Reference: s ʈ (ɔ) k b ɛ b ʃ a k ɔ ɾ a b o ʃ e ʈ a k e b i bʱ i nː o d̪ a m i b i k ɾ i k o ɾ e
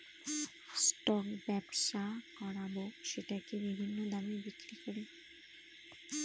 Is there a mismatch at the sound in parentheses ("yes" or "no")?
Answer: no